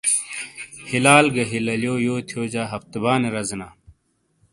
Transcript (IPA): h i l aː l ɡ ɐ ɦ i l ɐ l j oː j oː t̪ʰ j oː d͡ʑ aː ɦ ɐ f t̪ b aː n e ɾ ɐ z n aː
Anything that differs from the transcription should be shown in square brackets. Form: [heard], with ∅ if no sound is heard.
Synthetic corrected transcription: h i l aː l ɡ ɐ ɦ i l ɐ l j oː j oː t̪ʰ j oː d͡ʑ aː ɦ ɐ f t̪ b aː n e ɾ ɐ z n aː